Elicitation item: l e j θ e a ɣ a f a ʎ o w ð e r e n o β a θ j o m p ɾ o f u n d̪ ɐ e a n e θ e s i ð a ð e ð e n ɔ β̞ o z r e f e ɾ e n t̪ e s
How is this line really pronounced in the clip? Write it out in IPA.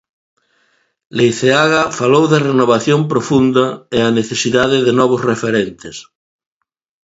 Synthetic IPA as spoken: l e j θ e a ɣ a f a l o w ð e r e n o β a θ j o m p ɾ o f u n d̪ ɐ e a n e θ e s i ð a ð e ð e n ɔ β̞ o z r e f e ɾ e n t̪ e s